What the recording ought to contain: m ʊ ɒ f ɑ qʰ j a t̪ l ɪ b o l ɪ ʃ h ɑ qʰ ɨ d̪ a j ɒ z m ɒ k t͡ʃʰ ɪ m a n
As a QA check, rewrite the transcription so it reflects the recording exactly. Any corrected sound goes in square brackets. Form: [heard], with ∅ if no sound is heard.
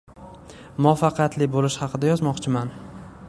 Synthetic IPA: m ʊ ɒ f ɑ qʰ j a t̪ l ɪ b o l ɪ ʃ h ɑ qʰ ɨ d̪ a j ɒ z m ɒ [q] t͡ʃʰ ɪ m a n